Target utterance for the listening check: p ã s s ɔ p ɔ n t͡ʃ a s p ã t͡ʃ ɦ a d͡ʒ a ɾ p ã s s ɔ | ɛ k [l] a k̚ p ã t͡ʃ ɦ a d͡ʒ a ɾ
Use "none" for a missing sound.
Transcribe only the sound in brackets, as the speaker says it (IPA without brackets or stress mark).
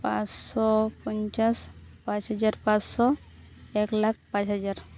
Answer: l